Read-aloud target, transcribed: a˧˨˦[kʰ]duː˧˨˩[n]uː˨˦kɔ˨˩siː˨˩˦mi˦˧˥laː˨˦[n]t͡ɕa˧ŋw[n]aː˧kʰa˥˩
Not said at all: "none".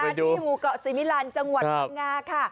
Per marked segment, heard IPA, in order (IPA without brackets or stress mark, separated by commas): none, m, n, ŋ